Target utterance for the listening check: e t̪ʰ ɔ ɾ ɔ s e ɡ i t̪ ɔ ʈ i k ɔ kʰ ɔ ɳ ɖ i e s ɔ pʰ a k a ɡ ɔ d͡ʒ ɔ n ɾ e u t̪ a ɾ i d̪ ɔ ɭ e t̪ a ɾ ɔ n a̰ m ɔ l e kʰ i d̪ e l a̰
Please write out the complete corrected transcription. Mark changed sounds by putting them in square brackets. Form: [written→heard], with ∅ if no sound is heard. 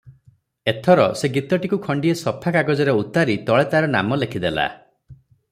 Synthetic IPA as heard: e t̪ʰ ɔ ɾ ɔ s e ɡ i t̪ ɔ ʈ i k [ɔ→u] kʰ ɔ ɳ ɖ i e s ɔ pʰ a k a ɡ ɔ d͡ʒ ɔ [n→∅] ɾ e u t̪ a ɾ i [d̪→t̪] ɔ ɭ e t̪ a ɾ ɔ n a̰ m ɔ l e kʰ i d̪ e l a̰